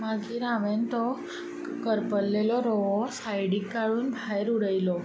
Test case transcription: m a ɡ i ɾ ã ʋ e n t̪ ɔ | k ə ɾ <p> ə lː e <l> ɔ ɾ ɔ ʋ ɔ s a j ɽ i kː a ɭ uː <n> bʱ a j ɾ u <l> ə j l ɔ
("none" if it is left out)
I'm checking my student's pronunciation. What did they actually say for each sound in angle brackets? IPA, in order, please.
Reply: p, l, n, ɽ

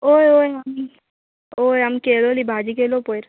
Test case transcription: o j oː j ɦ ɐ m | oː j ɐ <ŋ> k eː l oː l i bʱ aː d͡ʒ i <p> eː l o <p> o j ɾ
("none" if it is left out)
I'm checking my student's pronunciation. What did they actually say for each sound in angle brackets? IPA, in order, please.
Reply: m, k, p

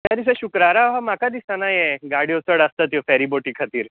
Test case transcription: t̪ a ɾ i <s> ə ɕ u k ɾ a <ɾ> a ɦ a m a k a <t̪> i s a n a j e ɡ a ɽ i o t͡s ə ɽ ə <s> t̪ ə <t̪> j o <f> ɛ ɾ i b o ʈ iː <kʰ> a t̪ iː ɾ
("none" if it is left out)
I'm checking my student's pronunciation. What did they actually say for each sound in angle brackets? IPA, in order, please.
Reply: s, ɾ, d̪, s, t̪, f, kʰ

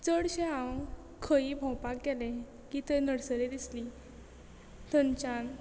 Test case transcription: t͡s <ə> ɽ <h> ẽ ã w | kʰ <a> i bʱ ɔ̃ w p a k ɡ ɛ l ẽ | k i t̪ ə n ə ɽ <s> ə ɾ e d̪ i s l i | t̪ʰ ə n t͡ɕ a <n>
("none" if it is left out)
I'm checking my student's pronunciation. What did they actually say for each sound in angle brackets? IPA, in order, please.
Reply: ə, ɕ, ə, s, n

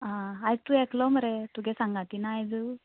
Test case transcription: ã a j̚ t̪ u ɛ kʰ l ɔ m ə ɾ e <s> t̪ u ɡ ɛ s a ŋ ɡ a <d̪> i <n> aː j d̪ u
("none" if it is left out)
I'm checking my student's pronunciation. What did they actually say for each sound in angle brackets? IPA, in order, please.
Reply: none, t̪, n

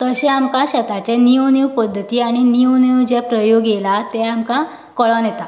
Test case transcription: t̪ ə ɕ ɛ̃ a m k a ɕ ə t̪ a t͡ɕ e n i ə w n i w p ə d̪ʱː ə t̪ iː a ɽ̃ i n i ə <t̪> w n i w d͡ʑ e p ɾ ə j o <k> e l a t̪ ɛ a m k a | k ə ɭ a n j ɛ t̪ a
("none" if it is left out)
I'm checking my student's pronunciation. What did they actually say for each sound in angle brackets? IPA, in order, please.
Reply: none, ɡ

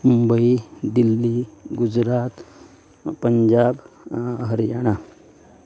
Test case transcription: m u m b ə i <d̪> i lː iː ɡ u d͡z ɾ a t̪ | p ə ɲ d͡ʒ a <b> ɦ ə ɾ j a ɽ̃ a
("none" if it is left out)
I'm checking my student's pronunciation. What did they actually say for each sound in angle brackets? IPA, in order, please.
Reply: d̪, b

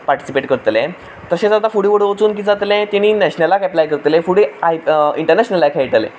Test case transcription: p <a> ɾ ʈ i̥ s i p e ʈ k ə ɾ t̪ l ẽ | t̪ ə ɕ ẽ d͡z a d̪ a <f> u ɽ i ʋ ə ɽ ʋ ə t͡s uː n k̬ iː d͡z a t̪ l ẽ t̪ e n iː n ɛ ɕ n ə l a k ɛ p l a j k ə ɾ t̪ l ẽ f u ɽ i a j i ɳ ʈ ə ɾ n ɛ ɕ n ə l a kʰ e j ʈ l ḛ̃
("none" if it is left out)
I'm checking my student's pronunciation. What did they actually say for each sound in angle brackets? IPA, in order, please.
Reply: a, f

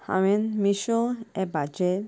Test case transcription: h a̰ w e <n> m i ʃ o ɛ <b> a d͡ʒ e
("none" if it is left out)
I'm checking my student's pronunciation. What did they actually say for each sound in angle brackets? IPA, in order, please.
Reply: n, b

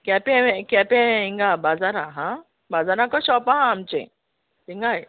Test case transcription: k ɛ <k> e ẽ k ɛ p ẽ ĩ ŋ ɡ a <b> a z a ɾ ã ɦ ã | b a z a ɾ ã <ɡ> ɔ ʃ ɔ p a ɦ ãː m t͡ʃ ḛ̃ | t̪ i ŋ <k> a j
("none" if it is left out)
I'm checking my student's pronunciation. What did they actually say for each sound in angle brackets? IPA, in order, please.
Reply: p, b, k, ɡ

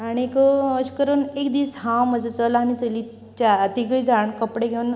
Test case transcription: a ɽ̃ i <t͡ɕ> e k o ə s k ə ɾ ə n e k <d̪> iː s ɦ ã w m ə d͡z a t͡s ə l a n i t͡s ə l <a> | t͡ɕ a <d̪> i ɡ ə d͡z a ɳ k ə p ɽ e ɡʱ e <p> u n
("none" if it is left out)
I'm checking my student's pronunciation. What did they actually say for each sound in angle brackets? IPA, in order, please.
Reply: none, d̪, i, t̪, none

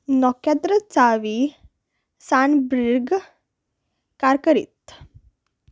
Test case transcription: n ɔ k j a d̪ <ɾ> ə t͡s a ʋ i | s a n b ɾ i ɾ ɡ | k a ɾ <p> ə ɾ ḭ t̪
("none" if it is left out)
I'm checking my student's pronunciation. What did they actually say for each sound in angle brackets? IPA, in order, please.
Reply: ɾ, k

